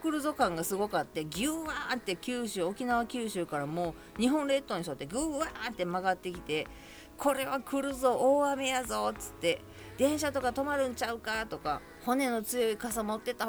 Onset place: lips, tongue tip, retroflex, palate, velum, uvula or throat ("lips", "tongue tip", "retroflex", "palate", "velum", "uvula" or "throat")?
velum